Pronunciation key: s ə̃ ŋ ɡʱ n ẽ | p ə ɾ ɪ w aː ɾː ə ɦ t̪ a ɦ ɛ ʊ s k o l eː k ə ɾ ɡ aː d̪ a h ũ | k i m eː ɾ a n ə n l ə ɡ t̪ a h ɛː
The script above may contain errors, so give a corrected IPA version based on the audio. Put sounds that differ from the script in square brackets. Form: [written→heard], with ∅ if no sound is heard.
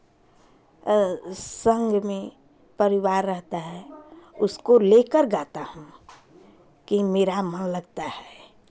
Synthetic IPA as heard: s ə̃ ŋ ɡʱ [n→m] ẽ | p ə ɾ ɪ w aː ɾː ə ɦ t̪ a ɦ ɛ ʊ s k o l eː k ə ɾ ɡ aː [d̪→t̪] a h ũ | k i m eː ɾ a [n→m] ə n l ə ɡ t̪ a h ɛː